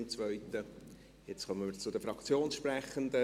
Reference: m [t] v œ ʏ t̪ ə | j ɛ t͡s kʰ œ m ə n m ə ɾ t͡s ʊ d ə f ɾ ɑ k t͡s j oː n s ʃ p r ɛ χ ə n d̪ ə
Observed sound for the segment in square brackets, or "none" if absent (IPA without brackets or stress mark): t͡s